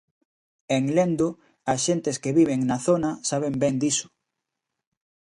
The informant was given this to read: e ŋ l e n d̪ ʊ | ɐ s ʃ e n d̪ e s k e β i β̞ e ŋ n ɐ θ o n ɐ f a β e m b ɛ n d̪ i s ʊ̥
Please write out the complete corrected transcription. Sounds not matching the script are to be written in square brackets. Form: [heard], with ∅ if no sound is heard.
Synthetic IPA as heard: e ŋ l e n d̪ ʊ | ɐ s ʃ e n [t̪] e s k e β i β̞ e ŋ n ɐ θ o n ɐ [s] a β e m b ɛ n d̪ i s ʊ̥